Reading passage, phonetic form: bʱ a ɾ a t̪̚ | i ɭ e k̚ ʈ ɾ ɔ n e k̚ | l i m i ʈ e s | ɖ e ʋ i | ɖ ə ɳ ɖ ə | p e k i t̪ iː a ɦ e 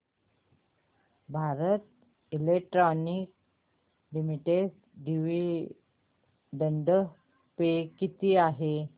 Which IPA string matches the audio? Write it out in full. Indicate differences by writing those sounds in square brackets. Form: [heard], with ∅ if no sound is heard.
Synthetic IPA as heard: bʱ a ɾ [ə] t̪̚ | i [l] e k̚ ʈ ɾ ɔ n [i] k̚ | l i m i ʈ e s | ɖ [i] ʋ i | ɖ ə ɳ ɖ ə | p e k i t̪ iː a ɦ e